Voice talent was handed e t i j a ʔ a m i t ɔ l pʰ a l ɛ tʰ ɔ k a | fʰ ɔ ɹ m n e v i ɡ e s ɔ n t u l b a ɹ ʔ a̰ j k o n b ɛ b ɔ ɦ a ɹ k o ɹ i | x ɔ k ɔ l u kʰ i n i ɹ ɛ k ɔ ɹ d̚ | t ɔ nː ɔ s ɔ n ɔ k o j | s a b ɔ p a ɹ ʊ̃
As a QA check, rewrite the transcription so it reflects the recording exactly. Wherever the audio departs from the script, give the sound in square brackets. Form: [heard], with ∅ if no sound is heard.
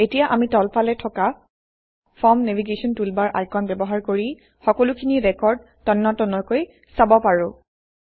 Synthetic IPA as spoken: e t i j a ʔ a m i t ɔ l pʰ a l ɛ tʰ ɔ k a | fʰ ɔ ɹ m n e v i ɡ e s ɔ n t u l b a ɹ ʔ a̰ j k [ɔ] n b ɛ b ɔ ɦ a ɹ k o ɹ i | x ɔ k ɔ l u kʰ i n i ɹ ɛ k ɔ ɹ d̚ | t ɔ nː ɔ [t] ɔ n ɔ k o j | s a b ɔ p a ɹ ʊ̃